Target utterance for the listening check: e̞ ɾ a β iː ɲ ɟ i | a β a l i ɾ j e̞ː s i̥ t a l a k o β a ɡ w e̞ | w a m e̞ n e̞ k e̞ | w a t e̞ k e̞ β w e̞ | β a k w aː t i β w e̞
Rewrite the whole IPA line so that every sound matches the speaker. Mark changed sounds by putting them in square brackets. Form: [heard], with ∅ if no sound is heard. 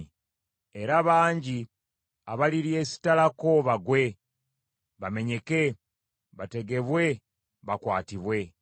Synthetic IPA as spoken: e̞ ɾ a β [aː] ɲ ɟ i | a β a l i ɾ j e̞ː s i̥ t a l a k o β a ɡ w e̞ | [β] a m e̞ [ɲ] e̞ k e̞ | [β] a t e̞ [ɡ] e̞ β w e̞ | β a k w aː t i β w e̞